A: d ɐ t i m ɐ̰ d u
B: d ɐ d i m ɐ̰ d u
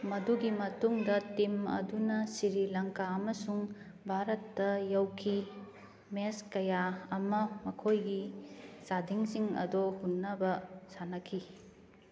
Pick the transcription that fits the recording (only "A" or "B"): A